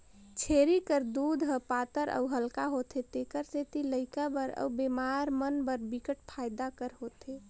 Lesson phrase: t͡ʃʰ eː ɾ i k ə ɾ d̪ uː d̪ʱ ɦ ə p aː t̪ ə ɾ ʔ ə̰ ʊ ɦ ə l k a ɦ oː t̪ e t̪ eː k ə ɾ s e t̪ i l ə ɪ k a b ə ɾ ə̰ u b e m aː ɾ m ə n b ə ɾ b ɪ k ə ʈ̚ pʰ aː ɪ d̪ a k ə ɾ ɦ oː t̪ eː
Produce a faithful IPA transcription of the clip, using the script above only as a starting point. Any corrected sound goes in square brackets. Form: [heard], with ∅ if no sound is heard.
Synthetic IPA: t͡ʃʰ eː ɾ i k ə ɾ d̪ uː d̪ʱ ɦ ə p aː t̪ ə ɾ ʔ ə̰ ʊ ɦ ə l k a ɦ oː t̪ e t̪ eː k ə ɾ s e t̪ i l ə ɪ k a b ə ɾ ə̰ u b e m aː ɾ m ə n b ə ɾ b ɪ k ə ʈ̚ pʰ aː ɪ d̪ a k ə ɾ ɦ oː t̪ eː